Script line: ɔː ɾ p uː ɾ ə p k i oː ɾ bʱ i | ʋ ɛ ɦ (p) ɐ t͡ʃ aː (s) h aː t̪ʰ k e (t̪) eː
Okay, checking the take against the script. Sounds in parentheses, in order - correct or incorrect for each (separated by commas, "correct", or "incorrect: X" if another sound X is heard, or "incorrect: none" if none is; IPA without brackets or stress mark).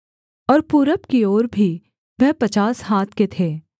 correct, correct, incorrect: t̪ʰ